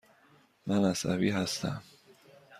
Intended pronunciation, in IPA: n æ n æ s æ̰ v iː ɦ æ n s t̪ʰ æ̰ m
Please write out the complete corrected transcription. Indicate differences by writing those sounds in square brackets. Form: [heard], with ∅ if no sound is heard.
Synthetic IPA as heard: [m] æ n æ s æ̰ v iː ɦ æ [∅] s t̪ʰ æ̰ m